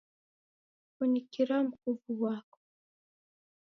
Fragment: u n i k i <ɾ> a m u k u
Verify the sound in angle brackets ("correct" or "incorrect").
correct